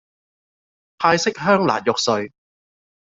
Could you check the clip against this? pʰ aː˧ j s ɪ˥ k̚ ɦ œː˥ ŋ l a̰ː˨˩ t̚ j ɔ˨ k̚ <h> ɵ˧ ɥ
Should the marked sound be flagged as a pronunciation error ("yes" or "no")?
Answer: yes